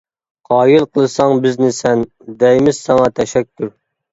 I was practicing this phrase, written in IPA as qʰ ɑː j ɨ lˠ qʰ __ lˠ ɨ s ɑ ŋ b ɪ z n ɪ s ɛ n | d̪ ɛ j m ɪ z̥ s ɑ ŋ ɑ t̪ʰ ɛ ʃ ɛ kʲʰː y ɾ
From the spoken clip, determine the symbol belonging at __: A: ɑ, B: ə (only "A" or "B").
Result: B